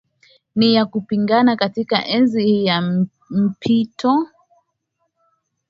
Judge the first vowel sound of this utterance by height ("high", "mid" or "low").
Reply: high